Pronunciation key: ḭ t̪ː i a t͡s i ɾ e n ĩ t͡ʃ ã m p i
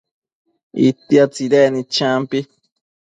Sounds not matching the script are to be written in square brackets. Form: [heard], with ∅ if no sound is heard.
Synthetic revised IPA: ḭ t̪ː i a t͡s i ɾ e n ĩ t͡ʃ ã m p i